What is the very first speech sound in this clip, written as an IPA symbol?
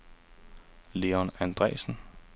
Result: l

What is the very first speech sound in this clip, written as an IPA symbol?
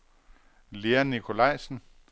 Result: l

